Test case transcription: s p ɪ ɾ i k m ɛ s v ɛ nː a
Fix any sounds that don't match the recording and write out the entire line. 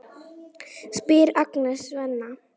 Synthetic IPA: s p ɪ ɾ a k n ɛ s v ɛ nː a